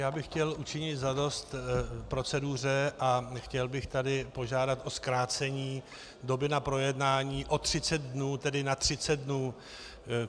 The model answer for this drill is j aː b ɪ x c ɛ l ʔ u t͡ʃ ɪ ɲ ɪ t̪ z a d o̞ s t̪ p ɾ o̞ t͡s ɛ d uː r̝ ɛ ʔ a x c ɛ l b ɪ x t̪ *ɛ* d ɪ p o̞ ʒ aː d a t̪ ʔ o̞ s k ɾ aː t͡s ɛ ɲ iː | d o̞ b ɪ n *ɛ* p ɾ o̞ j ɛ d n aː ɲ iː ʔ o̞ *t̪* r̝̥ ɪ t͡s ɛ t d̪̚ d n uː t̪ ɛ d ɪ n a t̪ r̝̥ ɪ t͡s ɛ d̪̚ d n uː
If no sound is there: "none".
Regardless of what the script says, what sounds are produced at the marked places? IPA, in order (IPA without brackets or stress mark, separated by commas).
a, a, t̪